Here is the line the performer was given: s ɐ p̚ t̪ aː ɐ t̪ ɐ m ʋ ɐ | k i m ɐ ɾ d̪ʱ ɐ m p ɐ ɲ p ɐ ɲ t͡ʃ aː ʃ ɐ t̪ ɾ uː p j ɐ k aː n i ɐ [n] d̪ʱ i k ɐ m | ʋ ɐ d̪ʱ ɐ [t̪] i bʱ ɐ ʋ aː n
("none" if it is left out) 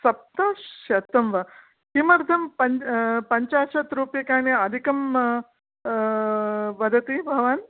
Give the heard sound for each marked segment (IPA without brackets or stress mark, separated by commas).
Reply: none, t̪